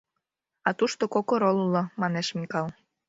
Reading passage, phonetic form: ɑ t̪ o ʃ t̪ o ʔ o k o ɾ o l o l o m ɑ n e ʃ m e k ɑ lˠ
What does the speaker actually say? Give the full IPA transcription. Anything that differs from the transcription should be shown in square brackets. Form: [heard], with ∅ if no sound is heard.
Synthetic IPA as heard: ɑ t̪ [u] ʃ t̪ o [k] o k o ɾ o l [u] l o m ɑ n e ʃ m [i] k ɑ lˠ